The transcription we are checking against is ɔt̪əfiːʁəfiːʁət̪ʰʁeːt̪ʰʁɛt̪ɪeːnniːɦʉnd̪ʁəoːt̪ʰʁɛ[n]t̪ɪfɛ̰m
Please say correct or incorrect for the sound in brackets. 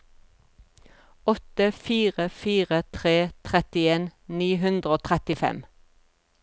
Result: incorrect